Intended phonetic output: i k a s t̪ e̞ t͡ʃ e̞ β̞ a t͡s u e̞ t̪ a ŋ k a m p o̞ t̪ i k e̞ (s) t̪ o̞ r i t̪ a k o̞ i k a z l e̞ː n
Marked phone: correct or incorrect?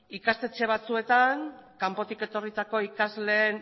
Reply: incorrect: none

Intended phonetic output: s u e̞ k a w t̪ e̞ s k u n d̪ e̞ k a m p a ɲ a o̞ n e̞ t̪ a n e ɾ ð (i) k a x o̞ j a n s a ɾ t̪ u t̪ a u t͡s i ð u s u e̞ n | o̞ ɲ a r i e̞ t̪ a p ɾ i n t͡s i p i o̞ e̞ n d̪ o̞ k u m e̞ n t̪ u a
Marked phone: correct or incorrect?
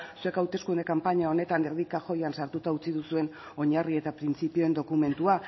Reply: correct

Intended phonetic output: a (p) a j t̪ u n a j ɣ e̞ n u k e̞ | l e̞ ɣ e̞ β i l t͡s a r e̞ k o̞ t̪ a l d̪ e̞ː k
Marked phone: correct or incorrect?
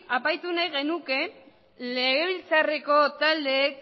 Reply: correct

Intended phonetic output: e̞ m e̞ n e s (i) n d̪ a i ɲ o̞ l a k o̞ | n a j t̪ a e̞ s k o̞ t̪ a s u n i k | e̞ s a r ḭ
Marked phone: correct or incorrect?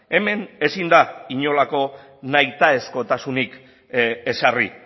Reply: correct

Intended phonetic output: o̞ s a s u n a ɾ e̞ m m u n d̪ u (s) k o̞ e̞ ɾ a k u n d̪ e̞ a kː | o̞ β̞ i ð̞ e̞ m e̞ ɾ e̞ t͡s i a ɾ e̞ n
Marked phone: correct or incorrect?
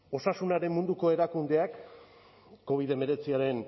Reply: incorrect: none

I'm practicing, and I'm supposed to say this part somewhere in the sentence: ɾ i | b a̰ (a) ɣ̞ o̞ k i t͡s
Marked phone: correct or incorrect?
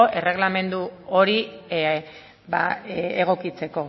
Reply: incorrect: e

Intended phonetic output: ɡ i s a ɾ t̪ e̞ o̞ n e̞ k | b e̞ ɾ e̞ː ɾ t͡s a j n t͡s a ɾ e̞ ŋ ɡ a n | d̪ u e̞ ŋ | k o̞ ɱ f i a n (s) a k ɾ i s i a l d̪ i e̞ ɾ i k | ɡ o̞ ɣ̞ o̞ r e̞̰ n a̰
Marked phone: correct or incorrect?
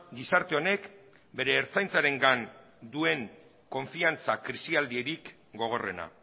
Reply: incorrect: t͡s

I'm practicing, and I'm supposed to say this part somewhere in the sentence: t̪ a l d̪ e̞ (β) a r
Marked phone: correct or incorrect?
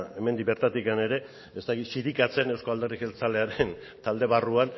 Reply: correct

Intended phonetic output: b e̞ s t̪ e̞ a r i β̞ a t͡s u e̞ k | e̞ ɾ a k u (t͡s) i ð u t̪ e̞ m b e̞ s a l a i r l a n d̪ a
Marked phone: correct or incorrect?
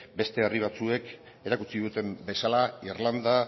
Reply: correct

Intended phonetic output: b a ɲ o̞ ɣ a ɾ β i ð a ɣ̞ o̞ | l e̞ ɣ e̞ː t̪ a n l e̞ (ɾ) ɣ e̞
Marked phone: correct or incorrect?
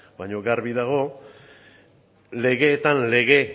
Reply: incorrect: none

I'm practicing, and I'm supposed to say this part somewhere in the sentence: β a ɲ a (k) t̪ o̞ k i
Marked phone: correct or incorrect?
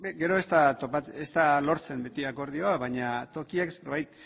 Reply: incorrect: none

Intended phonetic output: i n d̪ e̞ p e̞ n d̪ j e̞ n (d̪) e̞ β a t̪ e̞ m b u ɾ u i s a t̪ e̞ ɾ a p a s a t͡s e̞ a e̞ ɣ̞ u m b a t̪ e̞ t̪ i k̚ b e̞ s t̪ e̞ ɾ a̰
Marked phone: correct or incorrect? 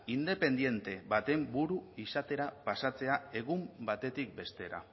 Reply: incorrect: t̪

